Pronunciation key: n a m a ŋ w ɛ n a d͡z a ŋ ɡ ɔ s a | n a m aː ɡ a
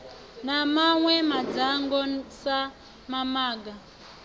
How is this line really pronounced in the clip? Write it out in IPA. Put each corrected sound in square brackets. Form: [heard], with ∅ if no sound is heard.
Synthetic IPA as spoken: n a m a ŋ w ɛ [m] a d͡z a ŋ ɡ ɔ s a | [m] a m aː ɡ a